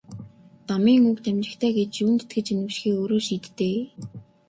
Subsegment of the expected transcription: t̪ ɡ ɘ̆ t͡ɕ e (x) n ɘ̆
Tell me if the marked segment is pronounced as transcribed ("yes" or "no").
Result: no